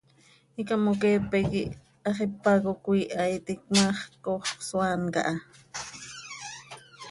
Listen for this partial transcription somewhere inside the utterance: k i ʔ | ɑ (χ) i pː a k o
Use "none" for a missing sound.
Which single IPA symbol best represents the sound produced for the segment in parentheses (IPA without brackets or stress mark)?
χ